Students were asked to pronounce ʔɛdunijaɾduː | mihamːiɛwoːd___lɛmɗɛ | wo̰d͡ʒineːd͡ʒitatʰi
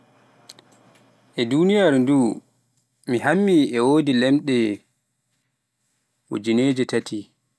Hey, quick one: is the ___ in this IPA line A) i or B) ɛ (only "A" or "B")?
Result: A